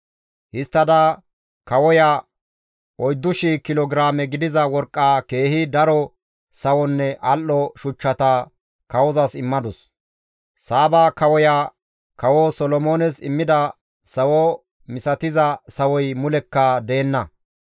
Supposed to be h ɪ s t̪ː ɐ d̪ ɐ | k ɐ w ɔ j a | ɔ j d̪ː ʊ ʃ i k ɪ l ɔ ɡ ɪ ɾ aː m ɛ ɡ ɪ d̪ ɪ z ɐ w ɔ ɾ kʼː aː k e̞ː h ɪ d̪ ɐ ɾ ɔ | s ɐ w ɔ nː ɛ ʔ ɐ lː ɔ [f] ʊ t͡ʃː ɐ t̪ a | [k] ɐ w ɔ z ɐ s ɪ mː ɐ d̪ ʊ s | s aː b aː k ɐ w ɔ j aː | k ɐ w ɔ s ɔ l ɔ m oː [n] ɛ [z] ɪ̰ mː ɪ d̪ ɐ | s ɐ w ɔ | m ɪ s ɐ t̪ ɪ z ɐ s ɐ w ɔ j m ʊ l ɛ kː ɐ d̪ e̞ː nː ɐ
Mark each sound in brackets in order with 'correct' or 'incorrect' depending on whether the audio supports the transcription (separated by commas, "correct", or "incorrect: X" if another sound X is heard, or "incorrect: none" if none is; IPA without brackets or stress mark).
incorrect: ʃ, correct, correct, incorrect: s